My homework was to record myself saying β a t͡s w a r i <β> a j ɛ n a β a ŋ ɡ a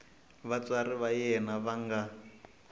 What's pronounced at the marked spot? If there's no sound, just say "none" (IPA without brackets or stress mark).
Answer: β